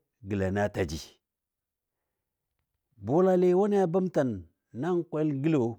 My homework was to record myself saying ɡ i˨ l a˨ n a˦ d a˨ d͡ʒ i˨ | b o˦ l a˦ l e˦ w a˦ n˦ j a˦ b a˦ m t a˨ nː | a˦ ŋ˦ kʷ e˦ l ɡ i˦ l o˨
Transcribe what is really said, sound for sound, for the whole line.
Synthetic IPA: ɡ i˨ l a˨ n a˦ t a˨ d͡ʒ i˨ | b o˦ l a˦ l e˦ w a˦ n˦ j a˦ b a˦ m t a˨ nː | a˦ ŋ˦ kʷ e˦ l ɡ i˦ l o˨